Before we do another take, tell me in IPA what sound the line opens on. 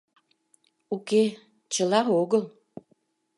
u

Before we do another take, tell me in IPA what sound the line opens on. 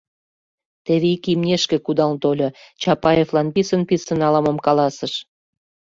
t̪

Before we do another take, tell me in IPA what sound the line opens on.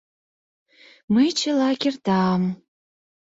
m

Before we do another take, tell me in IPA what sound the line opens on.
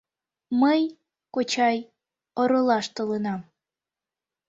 m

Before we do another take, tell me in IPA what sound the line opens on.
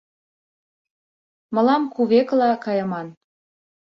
m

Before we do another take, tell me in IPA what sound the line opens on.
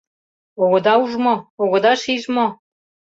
o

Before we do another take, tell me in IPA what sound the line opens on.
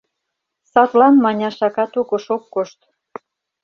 s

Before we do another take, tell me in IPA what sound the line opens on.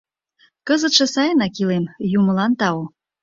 k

